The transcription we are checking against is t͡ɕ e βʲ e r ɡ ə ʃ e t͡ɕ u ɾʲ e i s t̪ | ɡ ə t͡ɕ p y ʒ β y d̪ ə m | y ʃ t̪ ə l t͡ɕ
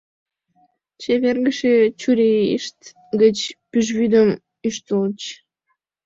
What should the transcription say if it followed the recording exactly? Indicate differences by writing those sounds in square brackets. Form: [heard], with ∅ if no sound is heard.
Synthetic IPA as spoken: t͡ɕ e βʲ e r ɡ ə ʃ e t͡ɕ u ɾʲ e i [ʃ] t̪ | ɡ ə t͡ɕ p y ʒ β y d̪ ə m | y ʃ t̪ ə l t͡ɕ